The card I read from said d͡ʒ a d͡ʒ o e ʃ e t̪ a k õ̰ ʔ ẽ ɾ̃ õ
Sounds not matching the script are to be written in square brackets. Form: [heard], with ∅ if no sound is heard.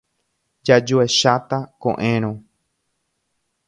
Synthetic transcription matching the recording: d͡ʒ a d͡ʒ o e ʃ [a] t̪ a k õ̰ ʔ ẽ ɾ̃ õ